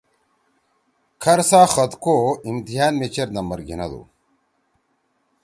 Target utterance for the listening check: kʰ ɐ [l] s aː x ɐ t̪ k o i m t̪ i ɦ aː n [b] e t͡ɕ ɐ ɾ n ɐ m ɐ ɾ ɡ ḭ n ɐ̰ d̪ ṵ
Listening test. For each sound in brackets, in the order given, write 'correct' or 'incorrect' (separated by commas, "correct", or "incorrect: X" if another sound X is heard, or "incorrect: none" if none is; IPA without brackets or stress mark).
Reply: incorrect: ɾ, incorrect: m